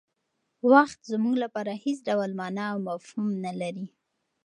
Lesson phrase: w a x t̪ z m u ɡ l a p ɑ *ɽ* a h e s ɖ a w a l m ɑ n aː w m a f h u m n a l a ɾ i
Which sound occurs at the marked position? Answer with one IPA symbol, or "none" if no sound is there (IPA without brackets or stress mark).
ɾ